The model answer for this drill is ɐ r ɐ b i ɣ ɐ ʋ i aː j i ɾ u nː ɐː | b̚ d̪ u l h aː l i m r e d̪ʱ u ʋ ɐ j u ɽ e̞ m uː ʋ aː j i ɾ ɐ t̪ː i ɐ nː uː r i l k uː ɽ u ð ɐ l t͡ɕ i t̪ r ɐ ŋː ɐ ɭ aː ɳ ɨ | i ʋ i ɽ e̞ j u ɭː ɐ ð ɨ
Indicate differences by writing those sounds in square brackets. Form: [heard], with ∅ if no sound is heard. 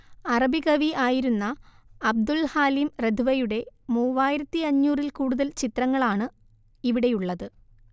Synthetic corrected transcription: ɐ r ɐ b i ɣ ɐ ʋ i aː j i ɾ u nː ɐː | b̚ d̪ u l h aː l i m r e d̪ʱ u ʋ ɐ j u ɽ e̞ m uː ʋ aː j i ɾ ɐ t̪ː i ɐ [ɲː] uː r i l k uː ɽ u ð ɐ l t͡ɕ i t̪ r ɐ ŋː ɐ ɭ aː ɳ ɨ | i ʋ i ɽ e̞ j u ɭː ɐ ð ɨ